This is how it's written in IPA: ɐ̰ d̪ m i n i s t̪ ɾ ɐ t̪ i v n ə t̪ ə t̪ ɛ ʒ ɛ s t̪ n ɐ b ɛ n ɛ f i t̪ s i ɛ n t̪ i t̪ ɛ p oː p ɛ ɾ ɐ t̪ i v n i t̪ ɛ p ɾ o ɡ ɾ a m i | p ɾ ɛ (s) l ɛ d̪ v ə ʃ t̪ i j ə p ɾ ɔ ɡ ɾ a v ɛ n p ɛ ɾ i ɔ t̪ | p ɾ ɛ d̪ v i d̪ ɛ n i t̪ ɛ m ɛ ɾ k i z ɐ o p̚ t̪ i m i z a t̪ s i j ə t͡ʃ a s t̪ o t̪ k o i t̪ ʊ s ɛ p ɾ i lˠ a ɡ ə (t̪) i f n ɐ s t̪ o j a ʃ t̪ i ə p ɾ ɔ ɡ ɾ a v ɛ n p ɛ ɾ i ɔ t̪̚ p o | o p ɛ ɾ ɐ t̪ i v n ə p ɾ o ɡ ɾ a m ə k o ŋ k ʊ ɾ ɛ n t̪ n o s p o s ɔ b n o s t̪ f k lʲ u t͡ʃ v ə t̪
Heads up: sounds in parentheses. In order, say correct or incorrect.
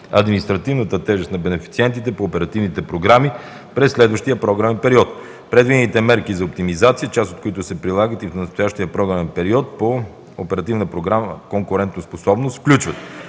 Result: incorrect: sː, correct

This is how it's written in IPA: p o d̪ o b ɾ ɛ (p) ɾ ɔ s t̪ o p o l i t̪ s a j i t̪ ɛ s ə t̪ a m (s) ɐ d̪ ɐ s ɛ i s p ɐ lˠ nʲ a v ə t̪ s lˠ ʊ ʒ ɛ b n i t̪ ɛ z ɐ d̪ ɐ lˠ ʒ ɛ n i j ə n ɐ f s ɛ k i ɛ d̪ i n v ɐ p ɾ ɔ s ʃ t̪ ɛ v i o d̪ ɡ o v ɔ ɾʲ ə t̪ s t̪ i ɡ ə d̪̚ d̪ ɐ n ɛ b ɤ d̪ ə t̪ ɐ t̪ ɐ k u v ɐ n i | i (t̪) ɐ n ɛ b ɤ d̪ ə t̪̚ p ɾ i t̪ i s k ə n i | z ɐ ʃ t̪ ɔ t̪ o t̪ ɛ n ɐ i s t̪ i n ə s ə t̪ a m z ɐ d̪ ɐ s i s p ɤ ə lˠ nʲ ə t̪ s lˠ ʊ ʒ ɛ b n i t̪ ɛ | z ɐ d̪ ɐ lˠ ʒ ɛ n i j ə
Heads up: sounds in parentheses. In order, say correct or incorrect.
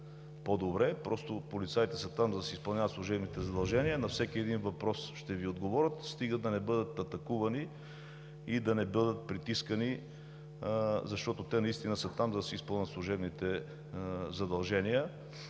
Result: correct, incorrect: z, incorrect: d̪

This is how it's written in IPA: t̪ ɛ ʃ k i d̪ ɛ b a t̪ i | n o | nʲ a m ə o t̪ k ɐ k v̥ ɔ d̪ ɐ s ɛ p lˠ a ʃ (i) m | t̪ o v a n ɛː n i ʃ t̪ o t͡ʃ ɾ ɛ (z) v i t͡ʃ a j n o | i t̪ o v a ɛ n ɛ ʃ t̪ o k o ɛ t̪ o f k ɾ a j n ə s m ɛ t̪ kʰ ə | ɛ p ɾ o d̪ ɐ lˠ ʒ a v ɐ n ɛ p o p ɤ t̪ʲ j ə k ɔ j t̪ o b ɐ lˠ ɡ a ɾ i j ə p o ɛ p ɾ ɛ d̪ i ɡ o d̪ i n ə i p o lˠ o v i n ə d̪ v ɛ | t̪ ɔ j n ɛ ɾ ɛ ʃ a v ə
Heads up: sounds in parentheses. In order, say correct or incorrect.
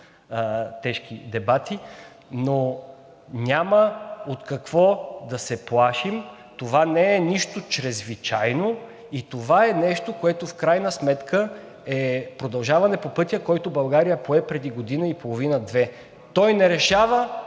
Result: correct, correct

